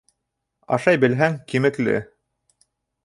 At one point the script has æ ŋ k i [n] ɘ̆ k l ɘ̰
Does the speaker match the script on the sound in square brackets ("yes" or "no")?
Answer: no